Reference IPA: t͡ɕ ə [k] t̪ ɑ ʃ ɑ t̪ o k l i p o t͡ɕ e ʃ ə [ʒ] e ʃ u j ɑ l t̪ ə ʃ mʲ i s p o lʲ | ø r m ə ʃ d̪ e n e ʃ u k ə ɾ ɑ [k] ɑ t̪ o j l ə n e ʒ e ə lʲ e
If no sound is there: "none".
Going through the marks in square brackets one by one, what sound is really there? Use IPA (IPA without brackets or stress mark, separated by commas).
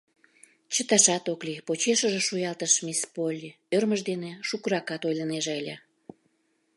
none, ʒ, k